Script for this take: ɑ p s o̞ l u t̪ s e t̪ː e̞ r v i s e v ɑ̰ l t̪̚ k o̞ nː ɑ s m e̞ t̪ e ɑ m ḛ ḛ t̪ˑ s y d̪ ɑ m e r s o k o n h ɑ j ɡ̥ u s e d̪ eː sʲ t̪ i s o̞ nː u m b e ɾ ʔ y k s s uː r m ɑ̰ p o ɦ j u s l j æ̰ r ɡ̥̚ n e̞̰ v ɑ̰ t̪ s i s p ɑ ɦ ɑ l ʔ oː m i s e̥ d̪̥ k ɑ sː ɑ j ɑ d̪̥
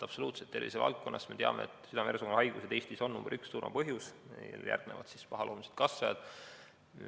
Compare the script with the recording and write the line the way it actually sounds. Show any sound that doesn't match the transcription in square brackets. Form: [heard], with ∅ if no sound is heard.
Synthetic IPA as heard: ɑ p s o̞ l [uː] t̪ s e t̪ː e̞ r v i s e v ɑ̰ l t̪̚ k o̞ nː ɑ s m e̞ t̪ e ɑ m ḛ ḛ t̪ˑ s y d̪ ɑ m e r s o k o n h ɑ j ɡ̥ u s e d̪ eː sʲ t̪ i s o̞ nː u m b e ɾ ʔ y k s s uː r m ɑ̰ p [ɤ] ɦ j u s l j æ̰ r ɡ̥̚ n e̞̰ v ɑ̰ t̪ s i s p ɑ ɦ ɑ l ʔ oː m i s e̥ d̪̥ k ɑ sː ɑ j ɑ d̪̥